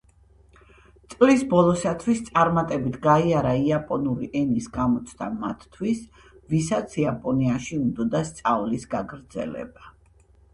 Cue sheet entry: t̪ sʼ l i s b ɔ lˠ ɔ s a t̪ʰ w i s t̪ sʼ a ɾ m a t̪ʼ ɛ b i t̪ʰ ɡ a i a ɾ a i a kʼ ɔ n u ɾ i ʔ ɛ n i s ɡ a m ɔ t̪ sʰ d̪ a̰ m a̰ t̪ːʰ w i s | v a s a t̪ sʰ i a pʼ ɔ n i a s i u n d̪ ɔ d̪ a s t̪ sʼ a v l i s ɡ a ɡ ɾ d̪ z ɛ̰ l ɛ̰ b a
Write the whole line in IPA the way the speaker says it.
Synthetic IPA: t̪ sʼ l i s b ɔ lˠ ɔ s a t̪ʰ w i s t̪ sʼ a ɾ m a t̪ʼ ɛ b i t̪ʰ ɡ a i a ɾ a i a pʼ ɔ n u ɾ i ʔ ɛ n i s ɡ a m ɔ t̪ sʰ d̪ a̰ m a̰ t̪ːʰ w i s | v i s a t̪ sʰ i a pʼ ɔ n i a ʃ i u n d̪ ɔ d̪ a s t̪ sʼ a v l i s ɡ a ɡ ɾ d̪ z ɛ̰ l ɛ̰ b a